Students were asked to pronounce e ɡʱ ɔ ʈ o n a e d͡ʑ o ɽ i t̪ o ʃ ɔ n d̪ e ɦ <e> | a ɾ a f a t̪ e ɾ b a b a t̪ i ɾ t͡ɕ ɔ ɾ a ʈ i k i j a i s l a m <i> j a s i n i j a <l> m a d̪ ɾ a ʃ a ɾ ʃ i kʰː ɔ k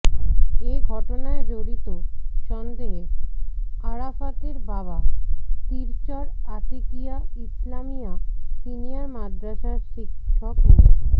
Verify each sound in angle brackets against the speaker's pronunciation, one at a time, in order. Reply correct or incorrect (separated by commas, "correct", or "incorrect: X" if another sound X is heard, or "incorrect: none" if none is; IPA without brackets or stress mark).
correct, correct, incorrect: ɾ